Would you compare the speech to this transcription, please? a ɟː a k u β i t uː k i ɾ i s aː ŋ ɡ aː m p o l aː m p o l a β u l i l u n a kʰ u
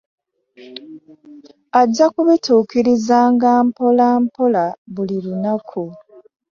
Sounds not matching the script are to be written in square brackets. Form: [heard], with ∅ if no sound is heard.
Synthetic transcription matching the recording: a ɟː a k u β i t uː k i ɾ i [z] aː ŋ ɡ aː m p o l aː m p o l a β u l i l u n a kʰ u